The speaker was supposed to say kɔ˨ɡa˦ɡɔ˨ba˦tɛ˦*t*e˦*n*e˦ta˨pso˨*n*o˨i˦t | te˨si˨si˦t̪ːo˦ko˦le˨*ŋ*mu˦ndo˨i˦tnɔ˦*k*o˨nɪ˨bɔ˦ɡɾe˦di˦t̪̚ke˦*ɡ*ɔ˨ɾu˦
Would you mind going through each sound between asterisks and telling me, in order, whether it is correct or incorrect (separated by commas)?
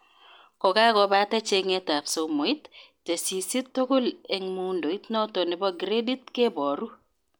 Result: incorrect, incorrect, incorrect, correct, incorrect, incorrect